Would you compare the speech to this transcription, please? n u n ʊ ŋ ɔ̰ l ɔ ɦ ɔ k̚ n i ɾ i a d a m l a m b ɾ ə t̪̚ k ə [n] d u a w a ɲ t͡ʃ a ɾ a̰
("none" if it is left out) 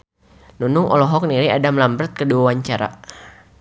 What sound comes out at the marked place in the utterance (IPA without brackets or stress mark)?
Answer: none